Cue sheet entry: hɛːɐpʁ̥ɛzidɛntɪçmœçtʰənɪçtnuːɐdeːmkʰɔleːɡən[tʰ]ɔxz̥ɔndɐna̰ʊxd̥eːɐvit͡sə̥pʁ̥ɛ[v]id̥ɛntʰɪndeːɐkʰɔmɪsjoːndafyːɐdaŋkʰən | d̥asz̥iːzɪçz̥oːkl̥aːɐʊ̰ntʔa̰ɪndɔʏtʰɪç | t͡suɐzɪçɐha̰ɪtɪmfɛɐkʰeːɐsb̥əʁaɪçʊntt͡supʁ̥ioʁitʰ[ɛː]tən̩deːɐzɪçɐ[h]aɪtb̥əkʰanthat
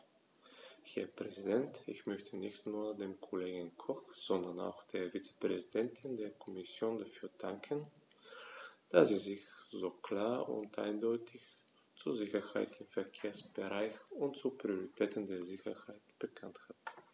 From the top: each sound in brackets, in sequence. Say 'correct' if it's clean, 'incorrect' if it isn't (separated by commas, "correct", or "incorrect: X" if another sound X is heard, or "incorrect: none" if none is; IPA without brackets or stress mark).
incorrect: kʰ, incorrect: z, correct, correct